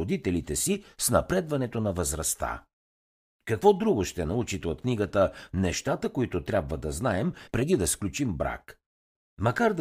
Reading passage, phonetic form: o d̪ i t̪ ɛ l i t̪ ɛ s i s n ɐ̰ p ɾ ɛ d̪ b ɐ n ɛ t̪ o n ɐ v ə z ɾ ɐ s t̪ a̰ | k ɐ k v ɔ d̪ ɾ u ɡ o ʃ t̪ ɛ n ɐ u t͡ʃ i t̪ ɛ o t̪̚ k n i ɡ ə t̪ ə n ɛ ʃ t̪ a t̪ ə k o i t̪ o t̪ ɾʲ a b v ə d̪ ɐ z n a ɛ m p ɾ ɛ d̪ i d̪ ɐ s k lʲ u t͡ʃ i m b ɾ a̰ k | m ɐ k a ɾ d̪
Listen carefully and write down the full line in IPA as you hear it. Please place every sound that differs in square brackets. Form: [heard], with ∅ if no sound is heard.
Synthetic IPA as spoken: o d̪ i t̪ ɛ l i t̪ ɛ s i s n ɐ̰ p ɾ ɛ d̪ [v] ɐ n ɛ t̪ o n ɐ v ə z ɾ ɐ s t̪ a̰ | k ɐ k v ɔ d̪ ɾ u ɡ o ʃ t̪ ɛ n ɐ u t͡ʃ i t̪ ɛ o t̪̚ k n i ɡ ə t̪ ə n ɛ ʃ t̪ a t̪ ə k o i t̪ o t̪ ɾʲ a b v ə d̪ ɐ z n a ɛ m p ɾ ɛ d̪ i d̪ ɐ s k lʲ u t͡ʃ i m b ɾ a̰ k | m ɐ k a ɾ d̪